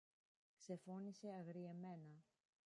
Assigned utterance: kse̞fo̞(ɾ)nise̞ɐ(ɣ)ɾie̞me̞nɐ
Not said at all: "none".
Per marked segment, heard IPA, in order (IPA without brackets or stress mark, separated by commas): none, ɣ